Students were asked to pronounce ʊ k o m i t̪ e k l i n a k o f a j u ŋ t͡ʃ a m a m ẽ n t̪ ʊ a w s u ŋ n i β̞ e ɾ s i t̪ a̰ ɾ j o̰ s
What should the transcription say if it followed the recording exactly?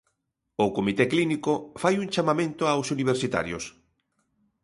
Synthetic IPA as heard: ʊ k o m i t̪ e k l i n i k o f a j u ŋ t͡ʃ a m a m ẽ n t̪ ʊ a w s u n i β̞ e ɾ s i t̪ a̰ ɾ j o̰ s